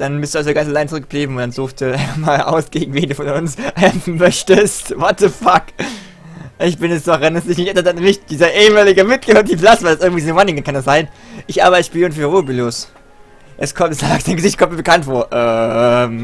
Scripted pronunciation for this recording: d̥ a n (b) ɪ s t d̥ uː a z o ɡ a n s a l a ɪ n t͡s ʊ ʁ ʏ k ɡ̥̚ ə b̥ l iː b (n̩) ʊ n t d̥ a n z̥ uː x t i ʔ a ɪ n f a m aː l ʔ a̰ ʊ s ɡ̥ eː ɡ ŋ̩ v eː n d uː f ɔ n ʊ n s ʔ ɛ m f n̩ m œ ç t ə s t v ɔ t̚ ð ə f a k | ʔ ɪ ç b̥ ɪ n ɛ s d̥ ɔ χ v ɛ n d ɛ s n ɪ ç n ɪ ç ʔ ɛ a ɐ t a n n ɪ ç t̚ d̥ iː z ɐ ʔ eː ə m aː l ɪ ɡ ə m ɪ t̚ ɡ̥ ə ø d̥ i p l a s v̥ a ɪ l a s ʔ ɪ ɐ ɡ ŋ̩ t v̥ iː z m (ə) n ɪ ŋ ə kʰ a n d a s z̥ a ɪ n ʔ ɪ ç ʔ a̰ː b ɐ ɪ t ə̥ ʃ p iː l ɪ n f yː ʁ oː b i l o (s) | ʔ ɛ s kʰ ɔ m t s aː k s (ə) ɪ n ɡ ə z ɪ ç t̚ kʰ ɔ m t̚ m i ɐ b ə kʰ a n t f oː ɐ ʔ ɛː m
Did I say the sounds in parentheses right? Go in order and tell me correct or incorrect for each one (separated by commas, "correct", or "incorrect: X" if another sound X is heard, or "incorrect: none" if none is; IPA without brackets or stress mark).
correct, incorrect: m̩, incorrect: a, correct, incorrect: a